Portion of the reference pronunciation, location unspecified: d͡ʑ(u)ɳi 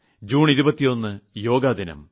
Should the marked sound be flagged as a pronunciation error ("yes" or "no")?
yes